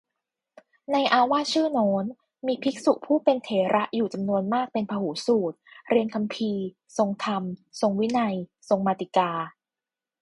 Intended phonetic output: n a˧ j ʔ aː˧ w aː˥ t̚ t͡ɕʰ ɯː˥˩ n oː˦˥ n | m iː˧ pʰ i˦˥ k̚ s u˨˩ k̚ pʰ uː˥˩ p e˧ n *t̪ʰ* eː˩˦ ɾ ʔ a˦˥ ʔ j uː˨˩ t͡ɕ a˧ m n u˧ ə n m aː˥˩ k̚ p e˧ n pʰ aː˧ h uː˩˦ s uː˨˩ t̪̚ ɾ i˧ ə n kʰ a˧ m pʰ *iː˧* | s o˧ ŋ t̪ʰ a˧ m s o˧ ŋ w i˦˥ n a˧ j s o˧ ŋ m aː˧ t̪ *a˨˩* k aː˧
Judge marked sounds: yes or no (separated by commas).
yes, yes, no